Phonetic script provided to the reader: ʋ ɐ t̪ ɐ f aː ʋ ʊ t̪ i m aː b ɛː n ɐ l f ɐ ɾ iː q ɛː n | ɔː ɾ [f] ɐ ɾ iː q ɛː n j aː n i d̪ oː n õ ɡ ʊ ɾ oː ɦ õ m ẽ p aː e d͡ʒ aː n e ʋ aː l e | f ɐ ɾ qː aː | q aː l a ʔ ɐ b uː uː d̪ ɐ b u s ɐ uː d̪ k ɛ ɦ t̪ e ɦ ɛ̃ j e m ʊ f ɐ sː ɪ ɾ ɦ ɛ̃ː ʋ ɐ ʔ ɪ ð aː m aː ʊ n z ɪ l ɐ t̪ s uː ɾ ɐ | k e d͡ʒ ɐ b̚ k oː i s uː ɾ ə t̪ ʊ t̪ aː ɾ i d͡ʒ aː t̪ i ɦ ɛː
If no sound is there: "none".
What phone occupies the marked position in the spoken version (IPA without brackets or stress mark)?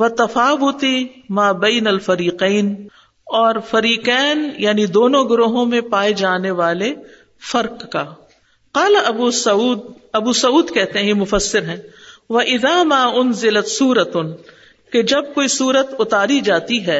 f